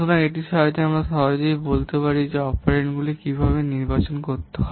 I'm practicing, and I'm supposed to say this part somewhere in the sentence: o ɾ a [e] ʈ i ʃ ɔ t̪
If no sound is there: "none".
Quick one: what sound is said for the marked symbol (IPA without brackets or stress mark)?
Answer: e